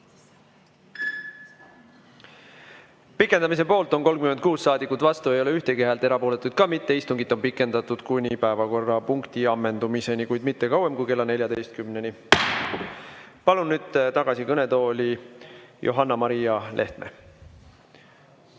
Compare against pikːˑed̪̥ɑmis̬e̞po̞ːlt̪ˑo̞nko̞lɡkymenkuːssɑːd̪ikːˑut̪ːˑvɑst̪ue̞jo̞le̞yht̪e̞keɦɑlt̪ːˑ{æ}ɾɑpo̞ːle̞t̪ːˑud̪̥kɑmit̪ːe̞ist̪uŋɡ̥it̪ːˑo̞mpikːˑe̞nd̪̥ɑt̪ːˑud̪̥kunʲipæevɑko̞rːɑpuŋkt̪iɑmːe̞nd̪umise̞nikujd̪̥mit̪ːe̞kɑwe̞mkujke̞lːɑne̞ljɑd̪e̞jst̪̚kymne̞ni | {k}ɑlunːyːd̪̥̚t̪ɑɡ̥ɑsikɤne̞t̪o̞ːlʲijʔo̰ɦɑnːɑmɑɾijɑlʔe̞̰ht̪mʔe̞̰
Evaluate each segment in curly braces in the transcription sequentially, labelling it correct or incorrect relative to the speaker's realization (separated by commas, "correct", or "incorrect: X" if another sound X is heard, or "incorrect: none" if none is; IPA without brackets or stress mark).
incorrect: e, incorrect: p